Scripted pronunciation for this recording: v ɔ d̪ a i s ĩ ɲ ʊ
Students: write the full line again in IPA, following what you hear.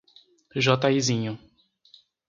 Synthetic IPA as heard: ʒ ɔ t̪ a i z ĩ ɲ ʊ